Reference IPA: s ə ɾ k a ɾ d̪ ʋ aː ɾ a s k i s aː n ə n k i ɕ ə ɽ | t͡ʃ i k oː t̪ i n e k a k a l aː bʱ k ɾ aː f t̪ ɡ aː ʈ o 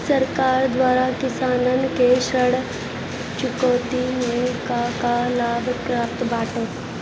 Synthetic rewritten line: s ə ɾ k a ɾ d̪ ʋ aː ɾ a k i s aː n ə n k e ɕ ə ɽ | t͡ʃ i k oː t̪ i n e k a k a l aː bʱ k ɾ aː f t̪ b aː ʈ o